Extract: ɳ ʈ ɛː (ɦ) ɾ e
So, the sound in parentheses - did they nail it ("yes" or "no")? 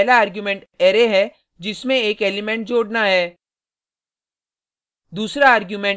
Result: no